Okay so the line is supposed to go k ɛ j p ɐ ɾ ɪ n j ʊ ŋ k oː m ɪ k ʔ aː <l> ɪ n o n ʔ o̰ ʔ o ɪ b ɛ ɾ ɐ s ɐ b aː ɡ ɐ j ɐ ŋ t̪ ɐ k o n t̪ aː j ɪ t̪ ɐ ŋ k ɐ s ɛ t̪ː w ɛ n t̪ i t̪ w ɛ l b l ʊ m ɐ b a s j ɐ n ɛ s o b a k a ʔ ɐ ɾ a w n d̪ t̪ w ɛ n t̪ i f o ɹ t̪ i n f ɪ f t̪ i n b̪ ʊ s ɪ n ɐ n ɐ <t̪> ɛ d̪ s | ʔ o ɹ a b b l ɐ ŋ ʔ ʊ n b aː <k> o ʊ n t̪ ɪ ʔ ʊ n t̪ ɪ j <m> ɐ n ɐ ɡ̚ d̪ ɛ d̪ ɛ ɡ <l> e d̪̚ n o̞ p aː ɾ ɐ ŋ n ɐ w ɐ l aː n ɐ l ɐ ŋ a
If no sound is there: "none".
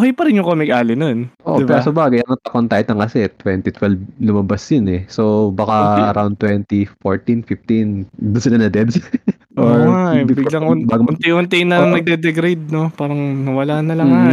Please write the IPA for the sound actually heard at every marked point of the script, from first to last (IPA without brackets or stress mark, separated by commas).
l, d̪, ɡ, n, ɾ